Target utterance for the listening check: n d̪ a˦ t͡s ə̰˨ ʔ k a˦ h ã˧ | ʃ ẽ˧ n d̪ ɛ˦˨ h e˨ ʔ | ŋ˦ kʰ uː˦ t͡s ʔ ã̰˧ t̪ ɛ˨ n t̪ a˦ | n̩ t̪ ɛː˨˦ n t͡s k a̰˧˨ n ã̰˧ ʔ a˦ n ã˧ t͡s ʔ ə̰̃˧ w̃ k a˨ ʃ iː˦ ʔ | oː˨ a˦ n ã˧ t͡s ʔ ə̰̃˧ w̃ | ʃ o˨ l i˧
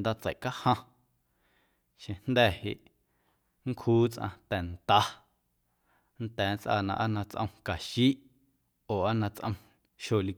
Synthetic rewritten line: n d̪ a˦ t͡s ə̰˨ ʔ k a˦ h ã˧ | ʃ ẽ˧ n d̪ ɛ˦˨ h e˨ ʔ | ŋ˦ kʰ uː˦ t͡s ʔ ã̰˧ t̪ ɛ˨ n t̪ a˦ | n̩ t̪ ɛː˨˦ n t͡s ʔ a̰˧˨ n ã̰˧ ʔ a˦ n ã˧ t͡s ʔ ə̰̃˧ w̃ k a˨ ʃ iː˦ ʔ | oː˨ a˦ n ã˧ t͡s ʔ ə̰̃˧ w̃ | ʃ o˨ l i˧